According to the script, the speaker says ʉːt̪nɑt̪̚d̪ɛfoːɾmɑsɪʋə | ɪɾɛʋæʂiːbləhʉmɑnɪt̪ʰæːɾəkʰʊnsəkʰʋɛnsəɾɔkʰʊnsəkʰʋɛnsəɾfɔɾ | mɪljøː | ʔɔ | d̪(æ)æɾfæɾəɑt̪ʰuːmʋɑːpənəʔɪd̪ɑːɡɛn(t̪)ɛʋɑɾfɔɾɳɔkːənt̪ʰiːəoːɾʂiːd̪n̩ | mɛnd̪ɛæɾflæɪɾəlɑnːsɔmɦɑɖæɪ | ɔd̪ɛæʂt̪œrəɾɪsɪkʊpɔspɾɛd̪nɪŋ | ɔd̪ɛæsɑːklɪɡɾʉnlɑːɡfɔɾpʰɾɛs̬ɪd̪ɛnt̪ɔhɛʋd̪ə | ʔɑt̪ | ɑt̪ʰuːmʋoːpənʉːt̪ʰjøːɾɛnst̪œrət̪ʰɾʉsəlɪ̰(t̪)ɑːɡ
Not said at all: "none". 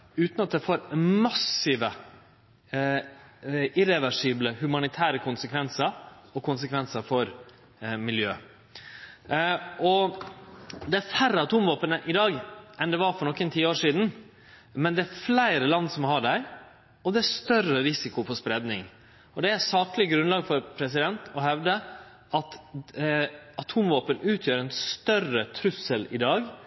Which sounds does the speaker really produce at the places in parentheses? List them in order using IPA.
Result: ɛ, d̪, d̪

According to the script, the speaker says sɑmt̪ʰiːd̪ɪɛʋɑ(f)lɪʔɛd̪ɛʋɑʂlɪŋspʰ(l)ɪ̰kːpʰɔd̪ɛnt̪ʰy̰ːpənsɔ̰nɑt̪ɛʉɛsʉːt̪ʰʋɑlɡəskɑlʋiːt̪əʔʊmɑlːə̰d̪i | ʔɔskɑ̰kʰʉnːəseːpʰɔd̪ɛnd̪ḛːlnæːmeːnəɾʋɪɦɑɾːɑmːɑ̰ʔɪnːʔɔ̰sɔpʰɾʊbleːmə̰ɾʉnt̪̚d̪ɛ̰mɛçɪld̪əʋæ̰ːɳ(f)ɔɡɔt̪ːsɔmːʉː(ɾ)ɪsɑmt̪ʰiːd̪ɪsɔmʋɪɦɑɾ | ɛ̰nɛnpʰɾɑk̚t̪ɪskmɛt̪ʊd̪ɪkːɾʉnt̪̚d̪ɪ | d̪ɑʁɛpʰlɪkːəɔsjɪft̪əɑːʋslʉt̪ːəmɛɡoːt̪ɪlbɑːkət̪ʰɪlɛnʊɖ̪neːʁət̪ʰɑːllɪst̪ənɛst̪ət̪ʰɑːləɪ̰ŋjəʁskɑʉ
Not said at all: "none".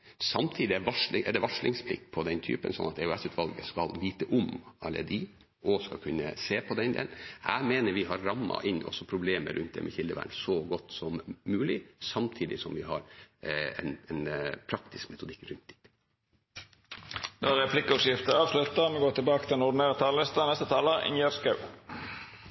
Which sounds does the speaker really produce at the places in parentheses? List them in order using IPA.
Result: ʂ, l, s, l

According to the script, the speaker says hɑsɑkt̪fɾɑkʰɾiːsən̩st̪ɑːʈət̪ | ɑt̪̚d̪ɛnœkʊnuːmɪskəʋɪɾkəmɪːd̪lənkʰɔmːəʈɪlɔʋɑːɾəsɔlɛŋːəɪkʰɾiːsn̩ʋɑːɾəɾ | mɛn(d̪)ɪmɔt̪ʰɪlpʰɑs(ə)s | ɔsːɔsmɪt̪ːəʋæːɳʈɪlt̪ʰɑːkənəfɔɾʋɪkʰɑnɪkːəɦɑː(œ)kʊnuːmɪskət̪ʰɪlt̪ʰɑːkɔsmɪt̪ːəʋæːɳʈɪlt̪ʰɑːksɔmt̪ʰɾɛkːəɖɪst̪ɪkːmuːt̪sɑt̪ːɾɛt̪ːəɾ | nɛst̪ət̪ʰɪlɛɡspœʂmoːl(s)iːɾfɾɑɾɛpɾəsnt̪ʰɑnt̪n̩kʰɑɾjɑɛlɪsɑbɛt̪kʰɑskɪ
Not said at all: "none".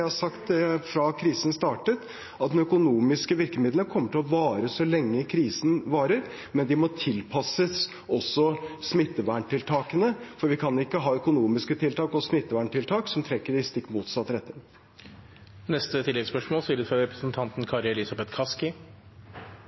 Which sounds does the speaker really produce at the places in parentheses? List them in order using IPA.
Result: d̪, ə, œ, s

